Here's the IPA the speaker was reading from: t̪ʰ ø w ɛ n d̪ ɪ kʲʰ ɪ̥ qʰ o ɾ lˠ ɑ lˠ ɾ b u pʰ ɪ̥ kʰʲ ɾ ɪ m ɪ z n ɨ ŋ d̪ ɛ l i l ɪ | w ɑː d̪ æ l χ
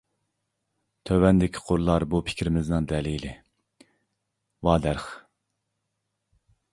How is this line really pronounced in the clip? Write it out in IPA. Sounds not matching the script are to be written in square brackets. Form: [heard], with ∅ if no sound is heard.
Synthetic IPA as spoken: t̪ʰ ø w ɛ n d̪ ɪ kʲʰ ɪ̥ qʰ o ɾ lˠ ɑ [∅] ɾ b u pʰ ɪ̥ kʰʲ ɾ ɪ m ɪ z n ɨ ŋ d̪ ɛ l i l ɪ | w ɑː d̪ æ [ɾ] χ